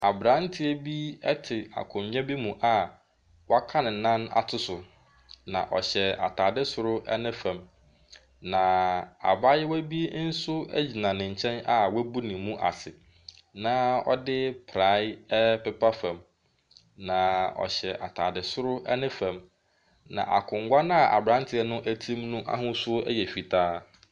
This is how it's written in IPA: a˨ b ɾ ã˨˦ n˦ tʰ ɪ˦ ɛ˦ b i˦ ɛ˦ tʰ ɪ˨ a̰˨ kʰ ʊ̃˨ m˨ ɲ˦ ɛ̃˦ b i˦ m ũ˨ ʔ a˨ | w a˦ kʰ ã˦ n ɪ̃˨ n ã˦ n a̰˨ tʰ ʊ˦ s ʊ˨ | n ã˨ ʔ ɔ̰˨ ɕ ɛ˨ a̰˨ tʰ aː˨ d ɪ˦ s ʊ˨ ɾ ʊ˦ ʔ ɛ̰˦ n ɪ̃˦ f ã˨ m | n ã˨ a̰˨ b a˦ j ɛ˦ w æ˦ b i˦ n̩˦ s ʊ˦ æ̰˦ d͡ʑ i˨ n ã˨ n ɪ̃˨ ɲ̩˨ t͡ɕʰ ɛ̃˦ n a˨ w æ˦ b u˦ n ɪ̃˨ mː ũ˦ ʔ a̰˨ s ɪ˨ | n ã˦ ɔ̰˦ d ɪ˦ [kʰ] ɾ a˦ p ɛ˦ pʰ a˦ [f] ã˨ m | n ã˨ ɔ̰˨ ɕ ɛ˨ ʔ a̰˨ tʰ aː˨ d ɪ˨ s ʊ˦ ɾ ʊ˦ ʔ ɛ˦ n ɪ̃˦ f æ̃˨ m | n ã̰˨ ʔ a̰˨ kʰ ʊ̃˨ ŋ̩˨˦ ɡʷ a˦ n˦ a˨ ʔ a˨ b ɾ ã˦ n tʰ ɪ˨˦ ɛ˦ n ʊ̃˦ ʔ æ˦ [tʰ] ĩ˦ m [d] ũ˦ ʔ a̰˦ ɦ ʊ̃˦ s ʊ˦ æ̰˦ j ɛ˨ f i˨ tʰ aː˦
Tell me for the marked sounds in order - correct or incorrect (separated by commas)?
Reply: incorrect, correct, correct, incorrect